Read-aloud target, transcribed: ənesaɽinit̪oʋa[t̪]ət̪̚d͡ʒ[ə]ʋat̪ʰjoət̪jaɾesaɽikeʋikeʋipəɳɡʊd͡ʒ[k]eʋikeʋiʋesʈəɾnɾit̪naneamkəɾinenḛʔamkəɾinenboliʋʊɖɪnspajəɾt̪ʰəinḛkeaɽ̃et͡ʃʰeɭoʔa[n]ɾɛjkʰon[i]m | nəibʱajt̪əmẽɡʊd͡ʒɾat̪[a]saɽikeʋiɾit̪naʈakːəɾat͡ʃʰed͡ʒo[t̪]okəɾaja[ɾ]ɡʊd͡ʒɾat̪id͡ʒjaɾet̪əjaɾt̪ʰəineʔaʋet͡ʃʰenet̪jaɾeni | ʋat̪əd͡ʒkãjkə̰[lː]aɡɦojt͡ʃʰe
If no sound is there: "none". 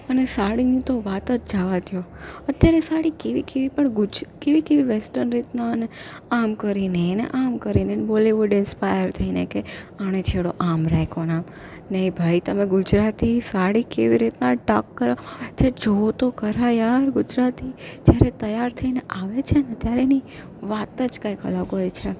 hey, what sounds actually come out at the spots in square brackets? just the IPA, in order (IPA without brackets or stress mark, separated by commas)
t̪, a, k, m, a, i, t̪, ɾ, l